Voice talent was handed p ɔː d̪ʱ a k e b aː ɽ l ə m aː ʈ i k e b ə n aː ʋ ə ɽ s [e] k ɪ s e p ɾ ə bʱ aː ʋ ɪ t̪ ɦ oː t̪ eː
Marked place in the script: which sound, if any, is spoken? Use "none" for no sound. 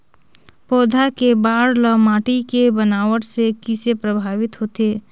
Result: e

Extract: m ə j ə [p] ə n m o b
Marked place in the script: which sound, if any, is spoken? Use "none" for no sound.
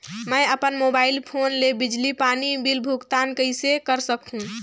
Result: p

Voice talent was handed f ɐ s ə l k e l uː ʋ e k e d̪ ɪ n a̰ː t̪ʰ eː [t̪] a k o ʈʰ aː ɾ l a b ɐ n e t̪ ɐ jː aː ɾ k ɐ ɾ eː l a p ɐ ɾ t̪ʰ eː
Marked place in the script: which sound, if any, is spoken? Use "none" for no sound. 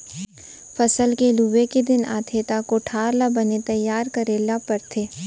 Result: t̪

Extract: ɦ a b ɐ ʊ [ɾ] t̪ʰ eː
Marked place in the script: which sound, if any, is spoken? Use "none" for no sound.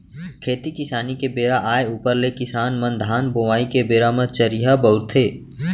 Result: ɾ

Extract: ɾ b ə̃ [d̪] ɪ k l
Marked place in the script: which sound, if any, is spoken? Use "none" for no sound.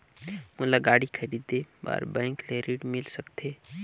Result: none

